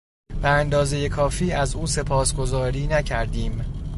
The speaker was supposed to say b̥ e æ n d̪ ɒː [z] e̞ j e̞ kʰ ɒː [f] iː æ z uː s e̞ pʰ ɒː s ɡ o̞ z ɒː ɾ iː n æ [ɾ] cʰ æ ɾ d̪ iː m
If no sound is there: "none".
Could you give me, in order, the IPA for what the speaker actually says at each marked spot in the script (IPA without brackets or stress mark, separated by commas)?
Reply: z, f, none